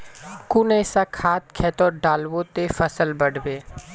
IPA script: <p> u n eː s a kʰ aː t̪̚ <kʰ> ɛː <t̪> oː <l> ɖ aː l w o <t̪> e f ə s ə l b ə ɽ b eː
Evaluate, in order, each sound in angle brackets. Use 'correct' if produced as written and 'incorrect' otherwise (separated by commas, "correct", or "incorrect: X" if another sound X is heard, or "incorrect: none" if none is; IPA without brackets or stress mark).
incorrect: k, correct, correct, incorrect: none, correct